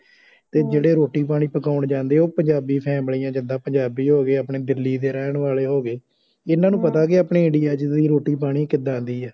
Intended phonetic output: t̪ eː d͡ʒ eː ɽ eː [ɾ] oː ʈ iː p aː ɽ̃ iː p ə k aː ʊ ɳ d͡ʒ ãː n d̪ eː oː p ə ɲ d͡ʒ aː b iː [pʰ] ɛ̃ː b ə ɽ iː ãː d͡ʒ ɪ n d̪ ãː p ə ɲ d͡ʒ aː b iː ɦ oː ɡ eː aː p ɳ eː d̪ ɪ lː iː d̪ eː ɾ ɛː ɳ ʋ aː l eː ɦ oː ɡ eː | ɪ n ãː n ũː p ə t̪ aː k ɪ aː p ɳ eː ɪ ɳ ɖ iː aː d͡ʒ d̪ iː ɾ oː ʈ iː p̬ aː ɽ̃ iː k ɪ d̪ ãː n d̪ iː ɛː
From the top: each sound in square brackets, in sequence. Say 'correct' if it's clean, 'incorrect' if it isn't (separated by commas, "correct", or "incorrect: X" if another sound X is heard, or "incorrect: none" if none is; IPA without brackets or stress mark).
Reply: correct, correct